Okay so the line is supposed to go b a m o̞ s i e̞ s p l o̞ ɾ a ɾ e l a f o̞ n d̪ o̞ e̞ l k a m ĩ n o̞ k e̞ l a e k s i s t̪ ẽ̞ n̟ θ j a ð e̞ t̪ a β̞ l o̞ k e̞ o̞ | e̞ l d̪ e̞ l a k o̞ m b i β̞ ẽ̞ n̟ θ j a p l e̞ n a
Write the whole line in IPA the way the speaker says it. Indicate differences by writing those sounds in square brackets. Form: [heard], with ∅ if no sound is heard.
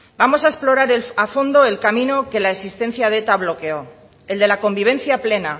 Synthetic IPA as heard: b a m o̞ s [a] e̞ s p l o̞ ɾ a ɾ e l a f o̞ n d̪ o̞ e̞ l k a m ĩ n o̞ k e̞ l a e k s i s t̪ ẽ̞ n̟ θ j a ð e̞ t̪ a β̞ l o̞ k e̞ o̞ | e̞ l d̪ e̞ l a k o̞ m b i β̞ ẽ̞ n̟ θ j a p l e̞ n a